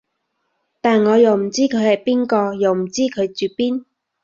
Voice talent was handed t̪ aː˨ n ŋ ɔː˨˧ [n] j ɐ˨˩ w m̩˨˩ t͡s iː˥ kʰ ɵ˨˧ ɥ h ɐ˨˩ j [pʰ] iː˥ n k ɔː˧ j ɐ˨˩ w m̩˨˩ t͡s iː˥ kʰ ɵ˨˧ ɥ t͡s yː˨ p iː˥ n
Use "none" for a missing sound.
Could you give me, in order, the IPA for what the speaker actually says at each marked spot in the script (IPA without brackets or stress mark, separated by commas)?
none, p